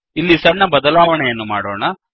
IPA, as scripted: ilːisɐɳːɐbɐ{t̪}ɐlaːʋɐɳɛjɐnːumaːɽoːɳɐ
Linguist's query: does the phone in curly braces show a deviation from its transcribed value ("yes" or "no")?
yes